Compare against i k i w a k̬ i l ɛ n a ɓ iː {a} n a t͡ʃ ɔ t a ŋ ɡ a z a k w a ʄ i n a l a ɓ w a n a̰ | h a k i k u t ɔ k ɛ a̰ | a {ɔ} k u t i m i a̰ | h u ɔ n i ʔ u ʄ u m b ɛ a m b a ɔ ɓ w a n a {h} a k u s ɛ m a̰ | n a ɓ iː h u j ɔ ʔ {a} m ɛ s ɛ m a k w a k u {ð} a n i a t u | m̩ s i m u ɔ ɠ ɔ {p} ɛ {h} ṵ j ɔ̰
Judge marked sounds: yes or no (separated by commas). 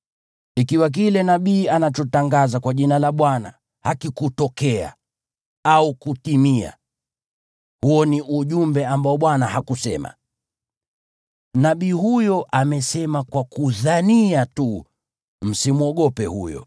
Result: yes, no, yes, yes, yes, yes, yes